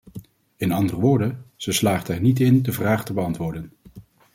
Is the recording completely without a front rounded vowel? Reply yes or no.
yes